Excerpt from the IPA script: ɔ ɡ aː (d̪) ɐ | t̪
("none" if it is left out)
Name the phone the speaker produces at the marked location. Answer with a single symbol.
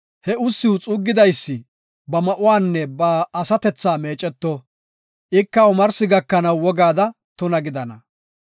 d̪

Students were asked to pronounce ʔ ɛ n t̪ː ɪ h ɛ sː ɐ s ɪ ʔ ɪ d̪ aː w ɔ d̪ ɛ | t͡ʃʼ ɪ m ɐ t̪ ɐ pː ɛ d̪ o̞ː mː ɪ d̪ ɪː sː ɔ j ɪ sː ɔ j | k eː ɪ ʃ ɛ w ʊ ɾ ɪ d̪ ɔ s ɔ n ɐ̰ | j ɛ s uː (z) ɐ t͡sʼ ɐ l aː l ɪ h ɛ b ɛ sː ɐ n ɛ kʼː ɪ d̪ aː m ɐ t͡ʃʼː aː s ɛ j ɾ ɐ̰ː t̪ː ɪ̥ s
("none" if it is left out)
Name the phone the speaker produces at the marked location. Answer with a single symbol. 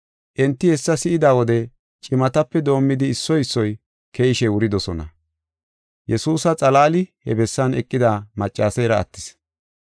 s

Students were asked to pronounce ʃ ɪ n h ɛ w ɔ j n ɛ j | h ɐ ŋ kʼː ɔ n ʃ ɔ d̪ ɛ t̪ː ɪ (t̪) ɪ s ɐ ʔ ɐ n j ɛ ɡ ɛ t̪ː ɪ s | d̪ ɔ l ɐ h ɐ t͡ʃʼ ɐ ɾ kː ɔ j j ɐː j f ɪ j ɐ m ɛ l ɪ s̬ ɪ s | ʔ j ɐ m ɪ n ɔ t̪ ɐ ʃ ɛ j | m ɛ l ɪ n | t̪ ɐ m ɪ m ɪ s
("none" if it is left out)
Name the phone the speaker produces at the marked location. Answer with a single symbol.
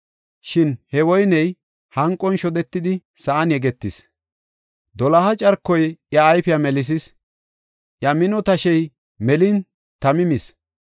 d̪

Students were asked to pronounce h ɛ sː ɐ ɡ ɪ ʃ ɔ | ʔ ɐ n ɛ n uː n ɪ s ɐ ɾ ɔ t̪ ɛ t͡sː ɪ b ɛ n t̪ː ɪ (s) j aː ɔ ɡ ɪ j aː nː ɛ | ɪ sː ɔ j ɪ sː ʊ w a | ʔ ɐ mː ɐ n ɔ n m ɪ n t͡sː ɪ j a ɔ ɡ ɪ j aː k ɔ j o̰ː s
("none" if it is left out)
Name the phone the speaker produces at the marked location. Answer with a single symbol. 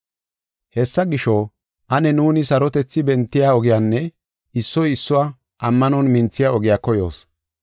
none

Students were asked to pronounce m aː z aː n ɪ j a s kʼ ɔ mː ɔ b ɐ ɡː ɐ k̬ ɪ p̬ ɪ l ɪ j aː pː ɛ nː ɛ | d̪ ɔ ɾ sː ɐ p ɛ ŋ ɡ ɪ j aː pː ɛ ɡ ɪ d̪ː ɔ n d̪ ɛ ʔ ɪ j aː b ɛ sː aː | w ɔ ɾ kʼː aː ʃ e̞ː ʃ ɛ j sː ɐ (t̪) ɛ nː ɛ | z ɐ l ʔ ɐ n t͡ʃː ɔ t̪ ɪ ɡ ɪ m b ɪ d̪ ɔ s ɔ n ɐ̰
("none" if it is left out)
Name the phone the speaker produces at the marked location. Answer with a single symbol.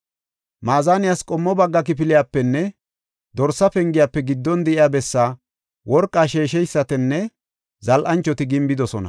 t̪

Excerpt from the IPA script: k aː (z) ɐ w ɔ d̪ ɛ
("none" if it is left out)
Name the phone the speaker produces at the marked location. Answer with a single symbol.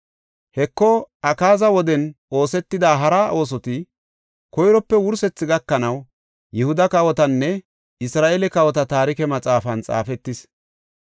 z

